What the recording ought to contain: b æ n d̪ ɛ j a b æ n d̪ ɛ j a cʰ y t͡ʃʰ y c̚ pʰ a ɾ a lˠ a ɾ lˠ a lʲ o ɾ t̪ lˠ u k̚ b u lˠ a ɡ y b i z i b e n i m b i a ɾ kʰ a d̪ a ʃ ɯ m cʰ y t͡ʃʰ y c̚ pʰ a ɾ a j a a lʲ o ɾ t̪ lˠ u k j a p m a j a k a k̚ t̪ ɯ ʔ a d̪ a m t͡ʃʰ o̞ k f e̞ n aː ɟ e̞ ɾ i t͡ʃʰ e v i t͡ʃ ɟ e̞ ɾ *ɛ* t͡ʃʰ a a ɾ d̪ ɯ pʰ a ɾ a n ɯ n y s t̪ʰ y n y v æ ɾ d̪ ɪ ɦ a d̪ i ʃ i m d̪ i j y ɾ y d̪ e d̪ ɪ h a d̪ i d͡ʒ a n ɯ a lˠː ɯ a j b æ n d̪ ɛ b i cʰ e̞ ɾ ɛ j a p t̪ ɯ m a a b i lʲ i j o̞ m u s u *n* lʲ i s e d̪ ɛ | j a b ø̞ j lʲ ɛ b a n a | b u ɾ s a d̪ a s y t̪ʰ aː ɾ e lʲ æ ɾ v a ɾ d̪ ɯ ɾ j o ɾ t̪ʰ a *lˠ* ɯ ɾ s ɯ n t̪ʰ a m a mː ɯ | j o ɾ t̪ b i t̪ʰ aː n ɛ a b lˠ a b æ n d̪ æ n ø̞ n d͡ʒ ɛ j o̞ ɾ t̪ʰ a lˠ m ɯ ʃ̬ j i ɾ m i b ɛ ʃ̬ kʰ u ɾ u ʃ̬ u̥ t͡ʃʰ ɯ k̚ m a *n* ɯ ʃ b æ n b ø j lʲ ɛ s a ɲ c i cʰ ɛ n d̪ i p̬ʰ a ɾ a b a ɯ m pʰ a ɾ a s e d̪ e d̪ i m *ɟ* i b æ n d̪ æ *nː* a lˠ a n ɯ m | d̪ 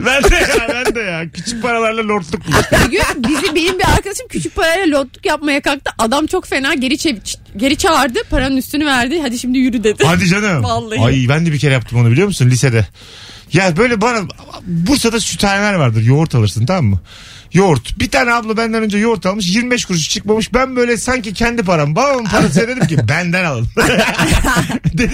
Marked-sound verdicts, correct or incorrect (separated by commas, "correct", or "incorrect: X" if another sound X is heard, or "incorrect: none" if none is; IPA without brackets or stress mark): incorrect: i, correct, correct, incorrect: m, incorrect: c, incorrect: n